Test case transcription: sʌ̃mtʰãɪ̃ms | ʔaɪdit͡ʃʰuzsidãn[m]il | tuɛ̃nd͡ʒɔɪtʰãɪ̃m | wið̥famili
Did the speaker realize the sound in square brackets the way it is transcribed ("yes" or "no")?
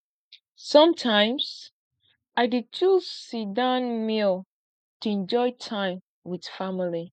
yes